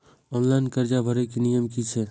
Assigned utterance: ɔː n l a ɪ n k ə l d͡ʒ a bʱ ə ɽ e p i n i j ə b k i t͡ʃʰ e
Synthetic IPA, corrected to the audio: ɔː n l a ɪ n k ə ɾ d͡ʒ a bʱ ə ɾ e k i n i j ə m k i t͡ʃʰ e